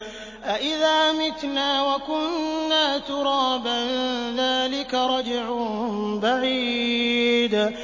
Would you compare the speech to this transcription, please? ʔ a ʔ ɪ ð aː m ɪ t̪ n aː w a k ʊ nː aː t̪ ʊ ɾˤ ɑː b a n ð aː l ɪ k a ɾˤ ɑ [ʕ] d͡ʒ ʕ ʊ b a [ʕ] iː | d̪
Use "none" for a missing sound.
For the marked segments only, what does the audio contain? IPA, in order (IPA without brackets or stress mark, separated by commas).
none, ʕ